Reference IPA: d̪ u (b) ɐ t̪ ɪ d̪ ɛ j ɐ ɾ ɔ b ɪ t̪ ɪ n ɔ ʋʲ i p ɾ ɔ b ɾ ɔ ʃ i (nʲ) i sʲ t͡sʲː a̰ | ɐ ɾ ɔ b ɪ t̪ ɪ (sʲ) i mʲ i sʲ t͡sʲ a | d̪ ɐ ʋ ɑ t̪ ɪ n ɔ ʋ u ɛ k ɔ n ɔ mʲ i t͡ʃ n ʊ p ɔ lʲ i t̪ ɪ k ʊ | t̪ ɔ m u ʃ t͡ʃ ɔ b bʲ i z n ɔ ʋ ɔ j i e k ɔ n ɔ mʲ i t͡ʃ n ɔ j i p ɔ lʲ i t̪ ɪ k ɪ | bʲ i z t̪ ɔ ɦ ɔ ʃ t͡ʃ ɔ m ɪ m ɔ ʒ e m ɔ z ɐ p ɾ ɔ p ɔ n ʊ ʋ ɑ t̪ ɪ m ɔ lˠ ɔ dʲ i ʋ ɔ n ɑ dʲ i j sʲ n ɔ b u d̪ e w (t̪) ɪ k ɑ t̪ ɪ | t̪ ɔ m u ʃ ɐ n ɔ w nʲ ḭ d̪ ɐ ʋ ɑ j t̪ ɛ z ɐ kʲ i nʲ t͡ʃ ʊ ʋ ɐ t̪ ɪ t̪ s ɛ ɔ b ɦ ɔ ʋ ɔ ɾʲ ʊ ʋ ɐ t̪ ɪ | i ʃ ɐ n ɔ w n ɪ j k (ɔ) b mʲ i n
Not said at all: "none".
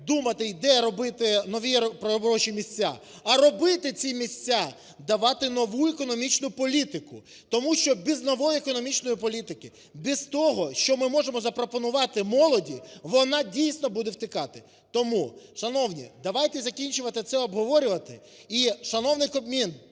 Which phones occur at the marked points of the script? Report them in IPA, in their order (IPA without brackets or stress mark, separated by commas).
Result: m, mʲ, t͡sʲ, t̪, ɔ